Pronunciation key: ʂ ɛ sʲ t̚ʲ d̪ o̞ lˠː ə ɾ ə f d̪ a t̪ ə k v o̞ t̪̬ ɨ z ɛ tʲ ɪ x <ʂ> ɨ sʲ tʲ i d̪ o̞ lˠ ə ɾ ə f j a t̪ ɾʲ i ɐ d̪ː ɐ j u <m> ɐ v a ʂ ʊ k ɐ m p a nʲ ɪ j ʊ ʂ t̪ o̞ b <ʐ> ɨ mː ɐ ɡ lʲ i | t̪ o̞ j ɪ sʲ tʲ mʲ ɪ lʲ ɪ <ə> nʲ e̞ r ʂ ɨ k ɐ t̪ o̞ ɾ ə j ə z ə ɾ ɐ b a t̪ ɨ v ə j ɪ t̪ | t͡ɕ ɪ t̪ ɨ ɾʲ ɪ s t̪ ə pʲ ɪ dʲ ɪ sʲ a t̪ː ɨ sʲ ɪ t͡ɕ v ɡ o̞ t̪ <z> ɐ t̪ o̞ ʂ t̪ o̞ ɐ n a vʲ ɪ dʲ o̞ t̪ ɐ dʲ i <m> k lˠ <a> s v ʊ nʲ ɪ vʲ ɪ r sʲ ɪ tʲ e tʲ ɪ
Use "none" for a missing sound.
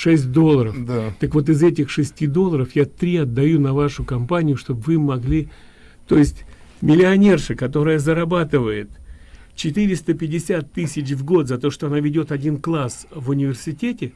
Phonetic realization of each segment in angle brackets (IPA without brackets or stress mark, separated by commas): ʂ, n, v, ɐ, z, n, a